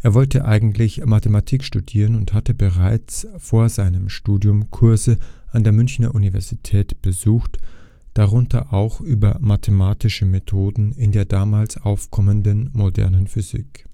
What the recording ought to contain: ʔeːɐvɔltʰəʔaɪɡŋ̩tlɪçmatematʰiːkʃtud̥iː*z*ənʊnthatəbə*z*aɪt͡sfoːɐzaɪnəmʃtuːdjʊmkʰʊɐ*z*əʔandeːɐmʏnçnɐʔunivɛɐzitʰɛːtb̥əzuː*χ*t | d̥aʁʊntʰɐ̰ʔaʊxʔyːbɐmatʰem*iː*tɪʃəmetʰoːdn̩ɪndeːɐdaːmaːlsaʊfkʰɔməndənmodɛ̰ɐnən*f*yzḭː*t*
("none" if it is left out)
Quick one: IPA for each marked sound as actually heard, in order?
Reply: ʁ, ʁ, z, x, aː, f, k

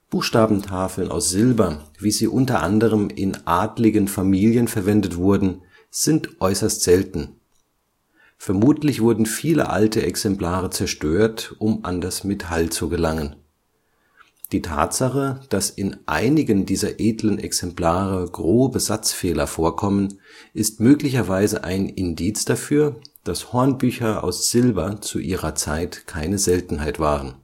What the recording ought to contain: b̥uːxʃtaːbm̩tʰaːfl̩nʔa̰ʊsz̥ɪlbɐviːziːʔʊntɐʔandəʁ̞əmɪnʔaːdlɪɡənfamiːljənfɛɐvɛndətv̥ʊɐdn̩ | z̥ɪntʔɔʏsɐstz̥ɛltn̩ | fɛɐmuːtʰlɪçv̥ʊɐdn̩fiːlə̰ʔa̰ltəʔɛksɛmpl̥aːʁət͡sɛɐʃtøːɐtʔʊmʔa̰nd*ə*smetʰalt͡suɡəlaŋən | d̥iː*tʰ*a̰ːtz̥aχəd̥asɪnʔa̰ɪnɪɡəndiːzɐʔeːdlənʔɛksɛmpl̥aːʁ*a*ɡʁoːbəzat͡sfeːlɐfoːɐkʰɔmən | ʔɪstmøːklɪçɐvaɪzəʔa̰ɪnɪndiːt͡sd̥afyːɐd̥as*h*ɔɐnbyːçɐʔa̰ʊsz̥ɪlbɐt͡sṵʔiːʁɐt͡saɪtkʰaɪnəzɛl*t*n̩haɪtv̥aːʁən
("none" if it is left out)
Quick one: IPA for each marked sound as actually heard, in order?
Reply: a, tʰ, ə, h, t

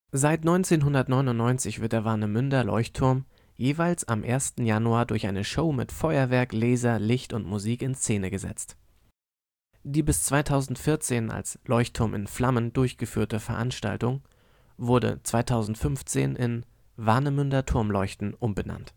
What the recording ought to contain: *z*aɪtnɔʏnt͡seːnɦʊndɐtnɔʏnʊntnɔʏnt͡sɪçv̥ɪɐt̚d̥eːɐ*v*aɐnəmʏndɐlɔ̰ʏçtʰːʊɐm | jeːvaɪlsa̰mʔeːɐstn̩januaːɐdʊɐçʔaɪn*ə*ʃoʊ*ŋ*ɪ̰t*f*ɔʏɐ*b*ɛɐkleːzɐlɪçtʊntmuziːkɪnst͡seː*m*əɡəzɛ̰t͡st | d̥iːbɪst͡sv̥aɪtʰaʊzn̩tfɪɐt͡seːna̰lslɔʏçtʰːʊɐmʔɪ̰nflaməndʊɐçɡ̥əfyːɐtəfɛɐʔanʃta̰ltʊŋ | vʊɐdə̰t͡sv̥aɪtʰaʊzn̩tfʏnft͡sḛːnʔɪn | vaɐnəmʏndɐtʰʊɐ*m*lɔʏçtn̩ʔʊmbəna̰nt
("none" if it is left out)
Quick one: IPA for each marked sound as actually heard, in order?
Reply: z, v, ə, m, f, v, n, m

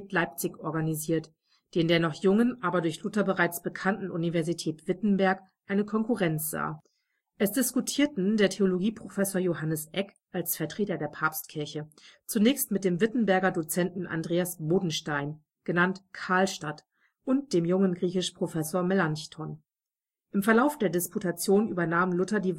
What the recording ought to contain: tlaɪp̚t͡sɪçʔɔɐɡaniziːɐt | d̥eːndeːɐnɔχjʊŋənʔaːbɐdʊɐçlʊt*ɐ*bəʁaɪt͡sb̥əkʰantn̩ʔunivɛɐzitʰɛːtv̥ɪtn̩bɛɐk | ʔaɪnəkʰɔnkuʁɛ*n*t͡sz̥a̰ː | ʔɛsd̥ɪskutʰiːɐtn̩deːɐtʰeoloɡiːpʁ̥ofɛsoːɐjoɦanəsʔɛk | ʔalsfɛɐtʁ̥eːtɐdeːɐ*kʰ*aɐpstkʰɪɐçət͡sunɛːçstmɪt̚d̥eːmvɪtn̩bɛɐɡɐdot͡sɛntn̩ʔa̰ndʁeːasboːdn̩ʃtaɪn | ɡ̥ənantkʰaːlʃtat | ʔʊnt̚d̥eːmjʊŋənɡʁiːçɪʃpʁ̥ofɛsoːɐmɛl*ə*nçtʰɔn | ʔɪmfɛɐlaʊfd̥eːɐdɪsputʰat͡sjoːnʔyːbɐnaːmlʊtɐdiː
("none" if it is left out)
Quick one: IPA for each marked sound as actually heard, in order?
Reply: ɐ, n, pʰ, a

